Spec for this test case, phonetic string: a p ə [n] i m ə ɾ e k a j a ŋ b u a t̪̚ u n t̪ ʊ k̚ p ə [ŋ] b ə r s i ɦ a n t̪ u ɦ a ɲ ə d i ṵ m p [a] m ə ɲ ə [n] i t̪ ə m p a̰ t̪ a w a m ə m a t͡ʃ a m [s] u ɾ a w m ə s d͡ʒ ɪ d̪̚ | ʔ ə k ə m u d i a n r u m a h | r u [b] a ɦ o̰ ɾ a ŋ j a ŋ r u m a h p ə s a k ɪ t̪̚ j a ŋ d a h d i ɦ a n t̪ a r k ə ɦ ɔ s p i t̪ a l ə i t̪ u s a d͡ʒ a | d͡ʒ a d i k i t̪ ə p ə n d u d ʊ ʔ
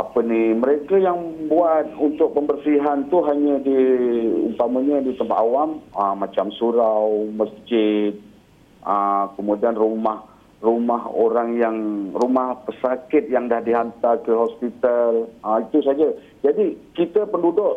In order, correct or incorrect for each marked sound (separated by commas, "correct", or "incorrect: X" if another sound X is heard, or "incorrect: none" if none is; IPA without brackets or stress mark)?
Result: correct, incorrect: m, correct, incorrect: d, correct, incorrect: m